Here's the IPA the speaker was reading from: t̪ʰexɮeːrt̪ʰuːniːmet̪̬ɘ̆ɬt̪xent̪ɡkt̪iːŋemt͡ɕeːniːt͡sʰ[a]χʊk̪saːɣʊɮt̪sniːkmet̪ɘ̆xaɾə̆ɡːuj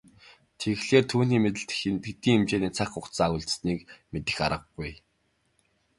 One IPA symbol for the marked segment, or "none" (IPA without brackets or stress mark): a